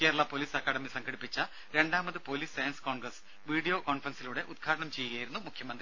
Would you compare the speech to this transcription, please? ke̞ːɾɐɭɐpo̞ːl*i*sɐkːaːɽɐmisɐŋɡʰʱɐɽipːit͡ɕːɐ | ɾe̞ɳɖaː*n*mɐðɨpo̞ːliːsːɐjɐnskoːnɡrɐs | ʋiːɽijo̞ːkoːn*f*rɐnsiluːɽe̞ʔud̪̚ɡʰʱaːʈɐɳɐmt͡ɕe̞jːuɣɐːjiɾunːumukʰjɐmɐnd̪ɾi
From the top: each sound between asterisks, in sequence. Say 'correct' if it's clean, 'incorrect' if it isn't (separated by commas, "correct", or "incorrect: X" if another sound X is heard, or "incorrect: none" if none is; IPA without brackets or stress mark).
incorrect: iː, incorrect: none, correct